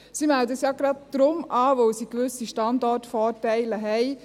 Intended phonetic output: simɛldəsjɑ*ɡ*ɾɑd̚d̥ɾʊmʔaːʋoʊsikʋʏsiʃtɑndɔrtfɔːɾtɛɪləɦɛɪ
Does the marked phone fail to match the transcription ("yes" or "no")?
no